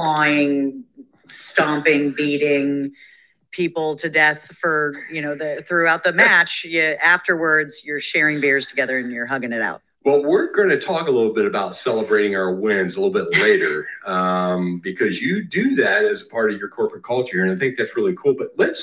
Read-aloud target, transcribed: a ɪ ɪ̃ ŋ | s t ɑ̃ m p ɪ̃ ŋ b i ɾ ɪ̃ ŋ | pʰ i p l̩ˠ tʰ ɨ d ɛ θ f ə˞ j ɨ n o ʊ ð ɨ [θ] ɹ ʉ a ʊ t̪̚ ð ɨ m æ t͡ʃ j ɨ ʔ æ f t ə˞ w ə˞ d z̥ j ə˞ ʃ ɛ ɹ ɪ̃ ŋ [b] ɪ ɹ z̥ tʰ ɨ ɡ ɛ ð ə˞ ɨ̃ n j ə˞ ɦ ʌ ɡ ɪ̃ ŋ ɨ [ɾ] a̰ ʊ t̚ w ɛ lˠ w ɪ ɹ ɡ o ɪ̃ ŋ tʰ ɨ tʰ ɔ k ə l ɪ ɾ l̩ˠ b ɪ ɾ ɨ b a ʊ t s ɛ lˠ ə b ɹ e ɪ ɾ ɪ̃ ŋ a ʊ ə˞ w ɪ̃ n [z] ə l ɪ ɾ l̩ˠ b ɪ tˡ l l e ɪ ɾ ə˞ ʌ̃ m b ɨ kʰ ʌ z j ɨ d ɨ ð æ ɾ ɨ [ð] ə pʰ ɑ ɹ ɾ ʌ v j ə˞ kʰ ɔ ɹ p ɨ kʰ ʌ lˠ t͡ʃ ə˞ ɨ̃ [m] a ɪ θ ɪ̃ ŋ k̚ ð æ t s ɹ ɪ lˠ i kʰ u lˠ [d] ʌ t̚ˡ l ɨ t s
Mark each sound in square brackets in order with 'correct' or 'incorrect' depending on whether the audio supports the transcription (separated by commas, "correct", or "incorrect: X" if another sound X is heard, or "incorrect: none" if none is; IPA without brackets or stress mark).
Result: correct, correct, correct, correct, incorrect: z, incorrect: n, incorrect: b